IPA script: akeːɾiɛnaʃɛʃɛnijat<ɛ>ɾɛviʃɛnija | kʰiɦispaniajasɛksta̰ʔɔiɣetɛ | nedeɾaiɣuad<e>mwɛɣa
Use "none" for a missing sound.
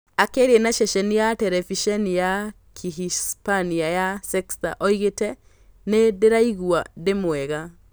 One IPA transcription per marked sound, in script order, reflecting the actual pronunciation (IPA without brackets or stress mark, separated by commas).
ɛ, e